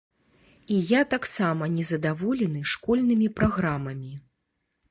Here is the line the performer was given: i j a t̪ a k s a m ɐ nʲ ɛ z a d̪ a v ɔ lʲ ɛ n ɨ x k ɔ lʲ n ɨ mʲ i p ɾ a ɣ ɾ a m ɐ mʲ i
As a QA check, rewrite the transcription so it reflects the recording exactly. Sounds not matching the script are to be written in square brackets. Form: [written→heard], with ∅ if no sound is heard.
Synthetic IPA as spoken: i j a t̪ a k s a m ɐ nʲ ɛ z [a→ɐ] d̪ a v ɔ lʲ ɛ n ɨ [x→ʂ] k ɔ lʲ n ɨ mʲ i p ɾ a ɣ ɾ a m ɐ mʲ i